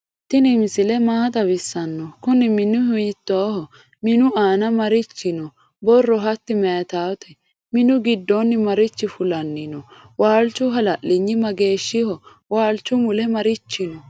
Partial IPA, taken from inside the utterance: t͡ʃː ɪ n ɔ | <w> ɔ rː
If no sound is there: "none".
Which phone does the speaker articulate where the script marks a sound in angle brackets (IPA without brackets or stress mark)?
b